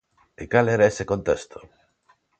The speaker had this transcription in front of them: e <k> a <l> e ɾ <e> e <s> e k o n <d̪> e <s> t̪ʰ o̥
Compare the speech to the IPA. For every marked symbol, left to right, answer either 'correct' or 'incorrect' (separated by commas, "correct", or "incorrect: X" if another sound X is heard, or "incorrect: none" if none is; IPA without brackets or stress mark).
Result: correct, correct, incorrect: a, correct, incorrect: t̪, correct